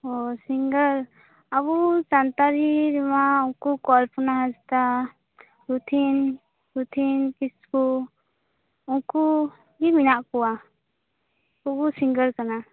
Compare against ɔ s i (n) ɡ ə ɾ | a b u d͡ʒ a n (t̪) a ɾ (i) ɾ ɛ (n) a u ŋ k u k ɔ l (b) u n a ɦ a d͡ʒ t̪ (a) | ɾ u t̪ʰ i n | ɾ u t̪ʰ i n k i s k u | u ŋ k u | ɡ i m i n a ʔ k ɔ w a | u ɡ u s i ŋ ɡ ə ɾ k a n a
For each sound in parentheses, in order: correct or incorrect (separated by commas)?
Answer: incorrect, correct, correct, incorrect, incorrect, correct